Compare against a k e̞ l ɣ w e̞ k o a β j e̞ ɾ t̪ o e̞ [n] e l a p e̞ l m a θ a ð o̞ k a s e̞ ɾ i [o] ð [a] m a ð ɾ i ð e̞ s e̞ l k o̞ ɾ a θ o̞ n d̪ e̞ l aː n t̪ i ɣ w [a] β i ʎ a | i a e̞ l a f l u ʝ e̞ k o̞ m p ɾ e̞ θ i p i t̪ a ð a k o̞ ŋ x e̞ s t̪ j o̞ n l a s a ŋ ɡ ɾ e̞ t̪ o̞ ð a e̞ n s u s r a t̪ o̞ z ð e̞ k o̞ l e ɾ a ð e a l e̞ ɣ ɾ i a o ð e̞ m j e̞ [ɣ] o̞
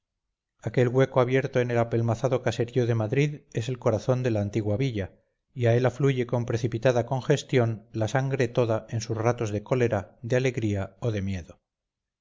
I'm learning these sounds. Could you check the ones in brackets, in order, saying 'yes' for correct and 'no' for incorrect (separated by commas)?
yes, yes, no, yes, no